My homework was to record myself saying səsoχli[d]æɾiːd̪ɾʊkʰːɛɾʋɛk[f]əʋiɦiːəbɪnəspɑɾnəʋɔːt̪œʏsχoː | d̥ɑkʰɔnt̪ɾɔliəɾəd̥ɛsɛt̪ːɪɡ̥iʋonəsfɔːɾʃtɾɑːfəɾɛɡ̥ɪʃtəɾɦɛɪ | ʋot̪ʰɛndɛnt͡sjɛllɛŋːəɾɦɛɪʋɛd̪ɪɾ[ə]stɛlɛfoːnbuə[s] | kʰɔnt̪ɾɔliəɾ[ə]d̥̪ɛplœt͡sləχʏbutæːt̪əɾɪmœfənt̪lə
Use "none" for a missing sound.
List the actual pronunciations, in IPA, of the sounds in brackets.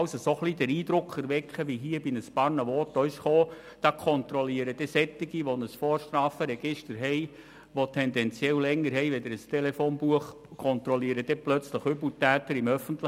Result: d, χ, ə, χ, ə

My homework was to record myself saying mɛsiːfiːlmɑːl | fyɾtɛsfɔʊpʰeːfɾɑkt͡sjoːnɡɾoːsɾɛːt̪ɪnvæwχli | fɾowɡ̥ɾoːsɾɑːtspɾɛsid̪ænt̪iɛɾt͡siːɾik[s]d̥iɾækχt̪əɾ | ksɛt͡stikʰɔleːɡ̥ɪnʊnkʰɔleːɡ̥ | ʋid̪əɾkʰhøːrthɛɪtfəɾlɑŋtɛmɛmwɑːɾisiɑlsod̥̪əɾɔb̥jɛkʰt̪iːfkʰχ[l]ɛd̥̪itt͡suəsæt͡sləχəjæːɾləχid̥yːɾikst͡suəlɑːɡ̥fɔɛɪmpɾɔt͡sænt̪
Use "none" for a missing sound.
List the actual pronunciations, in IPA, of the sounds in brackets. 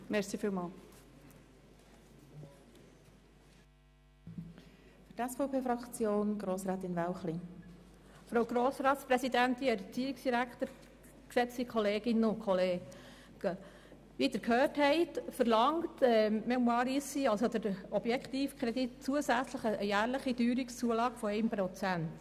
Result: s, ɾ

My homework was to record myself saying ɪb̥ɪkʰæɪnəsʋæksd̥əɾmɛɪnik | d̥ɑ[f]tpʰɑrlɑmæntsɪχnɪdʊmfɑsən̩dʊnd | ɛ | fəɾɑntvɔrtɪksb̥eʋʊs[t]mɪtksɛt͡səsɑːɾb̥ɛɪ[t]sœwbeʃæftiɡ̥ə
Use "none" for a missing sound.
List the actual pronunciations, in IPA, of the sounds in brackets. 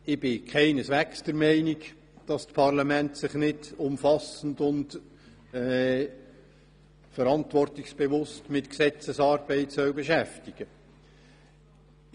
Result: s, t, t

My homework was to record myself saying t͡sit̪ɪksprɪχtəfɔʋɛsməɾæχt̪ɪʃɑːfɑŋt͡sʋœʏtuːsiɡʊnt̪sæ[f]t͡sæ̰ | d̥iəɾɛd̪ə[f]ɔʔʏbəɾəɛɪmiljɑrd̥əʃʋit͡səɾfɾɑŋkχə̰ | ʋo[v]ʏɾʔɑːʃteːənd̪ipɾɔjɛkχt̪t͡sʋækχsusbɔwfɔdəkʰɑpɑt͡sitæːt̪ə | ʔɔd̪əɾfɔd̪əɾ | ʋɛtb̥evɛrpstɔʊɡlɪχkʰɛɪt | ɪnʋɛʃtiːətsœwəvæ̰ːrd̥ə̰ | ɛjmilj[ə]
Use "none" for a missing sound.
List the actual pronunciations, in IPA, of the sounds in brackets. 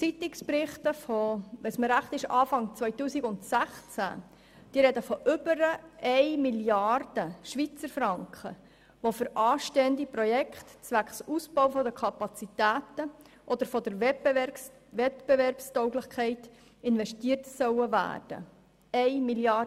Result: χ, f, f, ɑ

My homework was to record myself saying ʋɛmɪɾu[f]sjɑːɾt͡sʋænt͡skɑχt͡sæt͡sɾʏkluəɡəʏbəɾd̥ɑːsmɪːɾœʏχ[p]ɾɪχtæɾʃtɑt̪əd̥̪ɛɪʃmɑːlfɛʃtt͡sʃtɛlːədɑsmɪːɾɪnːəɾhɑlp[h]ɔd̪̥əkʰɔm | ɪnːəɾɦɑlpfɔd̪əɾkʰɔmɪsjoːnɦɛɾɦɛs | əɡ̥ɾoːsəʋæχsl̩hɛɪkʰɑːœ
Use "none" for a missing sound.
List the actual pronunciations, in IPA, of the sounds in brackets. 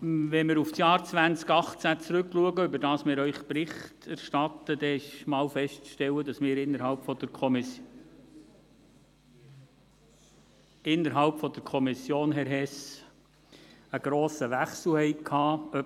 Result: f, p, f

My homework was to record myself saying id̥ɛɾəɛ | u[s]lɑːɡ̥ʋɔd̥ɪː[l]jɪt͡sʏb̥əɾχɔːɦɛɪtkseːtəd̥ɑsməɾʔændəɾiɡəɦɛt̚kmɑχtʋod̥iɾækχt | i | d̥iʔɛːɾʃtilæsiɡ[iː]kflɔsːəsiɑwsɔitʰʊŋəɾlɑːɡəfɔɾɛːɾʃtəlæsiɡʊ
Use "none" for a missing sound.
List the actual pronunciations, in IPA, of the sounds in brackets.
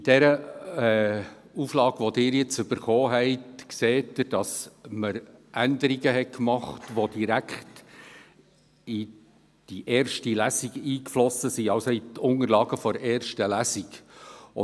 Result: f, ɾ, iː

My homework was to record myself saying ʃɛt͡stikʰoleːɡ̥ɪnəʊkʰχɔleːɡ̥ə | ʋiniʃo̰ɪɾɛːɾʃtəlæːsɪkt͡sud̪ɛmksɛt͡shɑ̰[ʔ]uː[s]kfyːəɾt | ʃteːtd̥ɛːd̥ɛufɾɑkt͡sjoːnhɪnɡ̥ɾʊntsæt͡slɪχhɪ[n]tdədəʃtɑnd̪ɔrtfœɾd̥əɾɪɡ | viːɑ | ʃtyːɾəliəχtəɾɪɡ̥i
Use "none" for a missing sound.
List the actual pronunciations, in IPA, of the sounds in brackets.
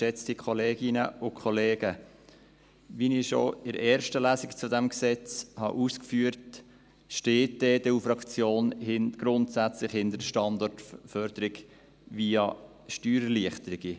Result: ʔ, s, n

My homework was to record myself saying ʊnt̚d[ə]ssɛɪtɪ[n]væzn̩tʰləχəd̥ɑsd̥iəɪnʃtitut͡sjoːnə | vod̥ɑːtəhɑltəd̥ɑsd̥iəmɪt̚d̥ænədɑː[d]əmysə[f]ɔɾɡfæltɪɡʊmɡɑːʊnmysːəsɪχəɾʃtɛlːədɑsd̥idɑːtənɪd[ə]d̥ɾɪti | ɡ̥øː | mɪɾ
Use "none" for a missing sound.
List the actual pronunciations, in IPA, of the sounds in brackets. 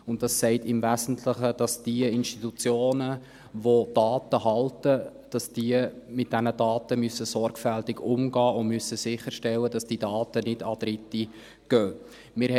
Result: ɑ, m, t, s, ɑ

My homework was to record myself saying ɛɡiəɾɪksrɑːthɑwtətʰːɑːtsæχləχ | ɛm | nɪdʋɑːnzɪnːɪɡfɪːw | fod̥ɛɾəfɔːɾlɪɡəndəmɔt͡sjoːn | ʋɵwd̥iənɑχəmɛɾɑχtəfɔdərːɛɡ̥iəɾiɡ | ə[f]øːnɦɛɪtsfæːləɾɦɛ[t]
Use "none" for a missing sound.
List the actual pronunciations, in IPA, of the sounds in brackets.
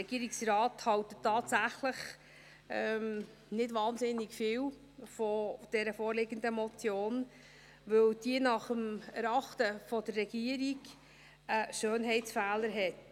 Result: ʃ, t

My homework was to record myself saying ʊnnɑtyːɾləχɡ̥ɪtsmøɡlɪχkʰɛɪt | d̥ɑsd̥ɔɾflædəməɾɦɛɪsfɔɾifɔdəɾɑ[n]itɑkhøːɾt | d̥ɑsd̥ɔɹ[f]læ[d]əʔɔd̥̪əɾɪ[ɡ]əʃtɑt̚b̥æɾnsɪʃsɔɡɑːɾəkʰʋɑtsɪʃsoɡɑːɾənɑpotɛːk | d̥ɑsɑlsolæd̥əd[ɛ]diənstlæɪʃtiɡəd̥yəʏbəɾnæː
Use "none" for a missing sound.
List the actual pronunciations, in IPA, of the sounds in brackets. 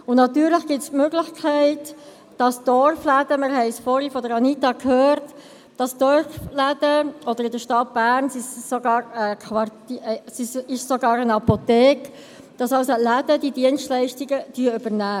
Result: n, f, d, d, i

